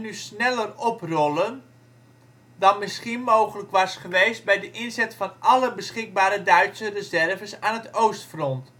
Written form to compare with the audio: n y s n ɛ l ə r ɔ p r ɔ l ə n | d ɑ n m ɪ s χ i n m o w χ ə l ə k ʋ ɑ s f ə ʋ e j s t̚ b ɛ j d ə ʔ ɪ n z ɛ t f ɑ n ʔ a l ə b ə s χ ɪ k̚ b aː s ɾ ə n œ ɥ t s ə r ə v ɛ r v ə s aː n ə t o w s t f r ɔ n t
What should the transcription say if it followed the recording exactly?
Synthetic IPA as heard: n y s n ɛ l ə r ɔ p r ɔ l ə n | d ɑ n m ɪ s χ i n m o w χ ə l ə k ʋ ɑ s χ ə ʋ e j s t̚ b ɛ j d ə ʔ ɪ n z ɛ t f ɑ n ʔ ɑ l ə b ə s χ ɪ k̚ b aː ɾ ə d œ ɥ t s ə r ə z ɛ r v ə s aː n ə t o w s t f r ɔ n t